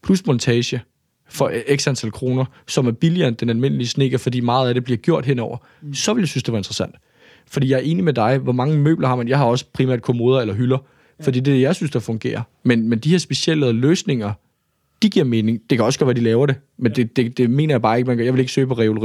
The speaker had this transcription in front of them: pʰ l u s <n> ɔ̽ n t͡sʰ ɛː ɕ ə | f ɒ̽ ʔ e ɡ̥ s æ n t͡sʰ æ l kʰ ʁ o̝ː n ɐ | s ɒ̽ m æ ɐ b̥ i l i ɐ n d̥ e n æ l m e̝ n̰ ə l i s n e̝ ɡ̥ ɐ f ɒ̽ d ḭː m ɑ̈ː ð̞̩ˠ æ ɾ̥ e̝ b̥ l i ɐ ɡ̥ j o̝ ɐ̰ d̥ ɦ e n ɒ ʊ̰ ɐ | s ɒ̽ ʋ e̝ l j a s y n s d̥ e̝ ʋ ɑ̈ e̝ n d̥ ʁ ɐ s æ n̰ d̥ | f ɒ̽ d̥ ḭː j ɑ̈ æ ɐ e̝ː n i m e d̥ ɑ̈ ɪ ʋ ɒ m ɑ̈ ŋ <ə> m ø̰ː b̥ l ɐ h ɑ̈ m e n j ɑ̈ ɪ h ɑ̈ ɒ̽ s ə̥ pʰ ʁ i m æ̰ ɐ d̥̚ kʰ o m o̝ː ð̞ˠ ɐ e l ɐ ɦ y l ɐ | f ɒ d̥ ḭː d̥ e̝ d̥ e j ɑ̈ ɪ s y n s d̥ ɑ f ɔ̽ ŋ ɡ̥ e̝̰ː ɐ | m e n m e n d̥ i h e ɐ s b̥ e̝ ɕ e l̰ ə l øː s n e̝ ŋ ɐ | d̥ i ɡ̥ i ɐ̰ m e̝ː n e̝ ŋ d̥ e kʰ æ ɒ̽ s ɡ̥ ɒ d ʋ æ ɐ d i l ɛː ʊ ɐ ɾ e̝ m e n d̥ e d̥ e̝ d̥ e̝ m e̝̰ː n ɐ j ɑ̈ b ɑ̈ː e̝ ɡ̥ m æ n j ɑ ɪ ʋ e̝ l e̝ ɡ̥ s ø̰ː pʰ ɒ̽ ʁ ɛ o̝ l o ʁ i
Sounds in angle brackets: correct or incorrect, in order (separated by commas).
incorrect, correct